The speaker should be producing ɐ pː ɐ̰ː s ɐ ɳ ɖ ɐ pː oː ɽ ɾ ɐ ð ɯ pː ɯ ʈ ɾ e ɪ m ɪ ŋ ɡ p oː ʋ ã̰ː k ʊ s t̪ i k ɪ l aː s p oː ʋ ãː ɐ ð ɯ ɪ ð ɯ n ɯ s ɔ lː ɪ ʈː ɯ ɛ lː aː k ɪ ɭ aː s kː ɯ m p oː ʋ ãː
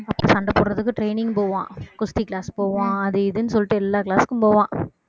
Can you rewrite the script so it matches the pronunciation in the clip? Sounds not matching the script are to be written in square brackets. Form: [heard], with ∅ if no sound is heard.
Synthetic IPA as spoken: ɐ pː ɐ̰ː s ɐ ɳ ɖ ɐ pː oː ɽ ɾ ɐ ð ɯ [kː] ɯ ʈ ɾ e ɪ [n] ɪ ŋ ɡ p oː ʋ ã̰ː k ʊ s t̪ i k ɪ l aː s p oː ʋ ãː ɐ ð ɯ ɪ ð ɯ n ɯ s ɔ lː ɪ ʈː ɯ ɛ lː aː k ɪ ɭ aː s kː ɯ m p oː ʋ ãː